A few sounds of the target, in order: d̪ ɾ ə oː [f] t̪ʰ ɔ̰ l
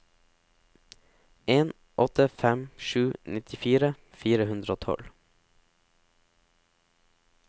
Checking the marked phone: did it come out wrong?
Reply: yes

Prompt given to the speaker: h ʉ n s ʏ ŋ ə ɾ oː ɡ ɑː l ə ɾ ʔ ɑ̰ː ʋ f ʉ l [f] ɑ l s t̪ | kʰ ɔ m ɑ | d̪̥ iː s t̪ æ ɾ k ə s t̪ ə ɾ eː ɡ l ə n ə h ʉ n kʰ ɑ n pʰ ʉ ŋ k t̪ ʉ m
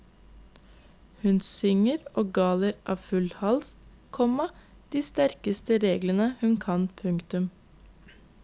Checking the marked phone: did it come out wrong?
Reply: yes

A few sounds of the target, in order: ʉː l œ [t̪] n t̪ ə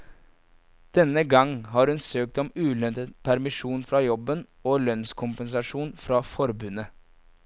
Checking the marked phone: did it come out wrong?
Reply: yes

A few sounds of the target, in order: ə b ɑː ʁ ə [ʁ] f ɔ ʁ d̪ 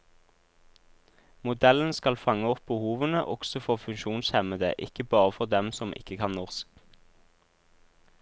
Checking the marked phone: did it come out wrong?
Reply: yes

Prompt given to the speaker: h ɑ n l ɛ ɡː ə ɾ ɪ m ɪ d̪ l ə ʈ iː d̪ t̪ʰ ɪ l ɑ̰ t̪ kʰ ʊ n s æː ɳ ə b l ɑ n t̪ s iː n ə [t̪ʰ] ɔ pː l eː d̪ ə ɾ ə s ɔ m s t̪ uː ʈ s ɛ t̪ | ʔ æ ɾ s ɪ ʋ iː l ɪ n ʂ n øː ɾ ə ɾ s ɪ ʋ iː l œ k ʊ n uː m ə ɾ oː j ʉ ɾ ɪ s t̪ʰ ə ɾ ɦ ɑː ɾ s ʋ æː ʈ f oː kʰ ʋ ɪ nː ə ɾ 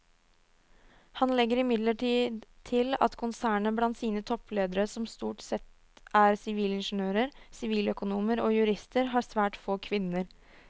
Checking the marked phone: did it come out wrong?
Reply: no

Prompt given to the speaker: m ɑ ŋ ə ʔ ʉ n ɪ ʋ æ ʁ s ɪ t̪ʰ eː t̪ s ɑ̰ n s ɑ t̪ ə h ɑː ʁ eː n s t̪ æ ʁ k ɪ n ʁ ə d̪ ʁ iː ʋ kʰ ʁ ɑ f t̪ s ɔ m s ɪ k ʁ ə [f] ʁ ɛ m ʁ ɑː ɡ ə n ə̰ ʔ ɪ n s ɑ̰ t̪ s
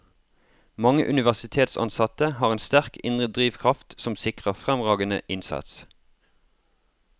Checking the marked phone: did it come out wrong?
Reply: no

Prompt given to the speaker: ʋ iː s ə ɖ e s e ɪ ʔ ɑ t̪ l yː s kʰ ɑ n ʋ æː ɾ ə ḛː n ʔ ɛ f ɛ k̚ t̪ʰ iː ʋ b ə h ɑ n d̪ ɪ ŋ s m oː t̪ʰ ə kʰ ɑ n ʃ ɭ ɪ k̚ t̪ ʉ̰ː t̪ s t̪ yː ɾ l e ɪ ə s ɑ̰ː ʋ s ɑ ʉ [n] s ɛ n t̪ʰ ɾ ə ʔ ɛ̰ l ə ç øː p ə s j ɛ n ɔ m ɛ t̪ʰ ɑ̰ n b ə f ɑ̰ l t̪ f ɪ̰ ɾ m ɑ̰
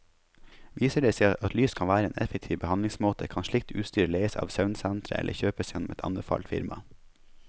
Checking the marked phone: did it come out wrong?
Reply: no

